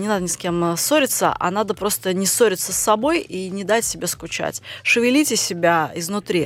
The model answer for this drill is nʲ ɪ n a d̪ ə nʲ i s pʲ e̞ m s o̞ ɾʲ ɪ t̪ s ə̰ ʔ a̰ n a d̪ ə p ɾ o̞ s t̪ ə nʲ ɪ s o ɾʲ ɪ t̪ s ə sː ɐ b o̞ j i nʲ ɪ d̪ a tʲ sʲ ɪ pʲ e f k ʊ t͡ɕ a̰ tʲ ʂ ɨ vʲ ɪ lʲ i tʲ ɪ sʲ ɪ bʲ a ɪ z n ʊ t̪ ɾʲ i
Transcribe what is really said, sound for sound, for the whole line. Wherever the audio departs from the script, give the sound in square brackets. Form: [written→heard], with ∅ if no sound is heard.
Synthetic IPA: nʲ ɪ n a d̪ ə nʲ [i→ɪ] s [pʲ→kʲ] e̞ m s o̞ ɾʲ ɪ t̪ s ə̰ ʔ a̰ n a d̪ ə p ɾ o̞ s t̪ ə nʲ ɪ s o ɾʲ ɪ t̪ s ə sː ɐ b o̞ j i nʲ ɪ d̪ a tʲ sʲ ɪ [pʲ→bʲ] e [f→s] k ʊ t͡ɕ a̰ tʲ ʂ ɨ vʲ ɪ lʲ i tʲ ɪ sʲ ɪ bʲ a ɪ z n ʊ t̪ ɾʲ i